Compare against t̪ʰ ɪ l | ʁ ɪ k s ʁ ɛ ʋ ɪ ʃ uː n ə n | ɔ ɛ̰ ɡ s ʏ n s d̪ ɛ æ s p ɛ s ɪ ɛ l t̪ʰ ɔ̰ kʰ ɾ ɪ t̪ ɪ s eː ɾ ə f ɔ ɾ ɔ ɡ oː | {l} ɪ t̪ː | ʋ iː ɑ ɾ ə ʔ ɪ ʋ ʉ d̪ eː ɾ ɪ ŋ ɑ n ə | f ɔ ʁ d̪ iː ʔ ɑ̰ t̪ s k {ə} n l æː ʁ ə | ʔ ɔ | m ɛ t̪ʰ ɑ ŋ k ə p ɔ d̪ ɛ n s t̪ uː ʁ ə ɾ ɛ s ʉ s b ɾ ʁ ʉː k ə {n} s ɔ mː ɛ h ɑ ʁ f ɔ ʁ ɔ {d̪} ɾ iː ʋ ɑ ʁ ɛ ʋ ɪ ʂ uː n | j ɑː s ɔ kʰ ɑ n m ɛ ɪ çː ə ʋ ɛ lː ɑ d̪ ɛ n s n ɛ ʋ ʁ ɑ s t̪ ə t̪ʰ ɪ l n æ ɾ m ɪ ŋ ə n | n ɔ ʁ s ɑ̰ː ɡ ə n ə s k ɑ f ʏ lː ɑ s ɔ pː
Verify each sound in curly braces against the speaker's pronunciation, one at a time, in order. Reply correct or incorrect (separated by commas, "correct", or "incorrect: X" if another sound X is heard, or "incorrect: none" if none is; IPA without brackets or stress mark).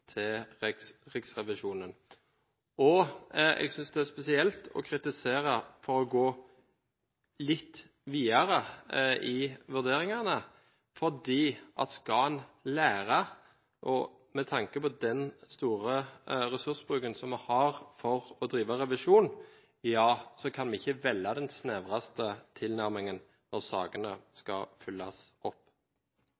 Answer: correct, incorrect: ɑ, correct, correct